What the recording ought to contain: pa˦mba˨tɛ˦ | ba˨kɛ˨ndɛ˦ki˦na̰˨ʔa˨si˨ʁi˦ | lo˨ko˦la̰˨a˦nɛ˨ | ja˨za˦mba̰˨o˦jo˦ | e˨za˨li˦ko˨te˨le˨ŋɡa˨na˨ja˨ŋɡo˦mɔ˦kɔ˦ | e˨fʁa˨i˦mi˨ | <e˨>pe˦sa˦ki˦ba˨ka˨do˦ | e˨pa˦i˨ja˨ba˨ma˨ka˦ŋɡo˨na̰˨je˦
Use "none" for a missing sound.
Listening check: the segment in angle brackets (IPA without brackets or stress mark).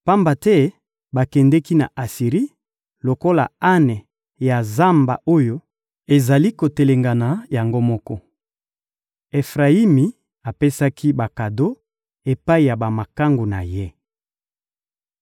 a˨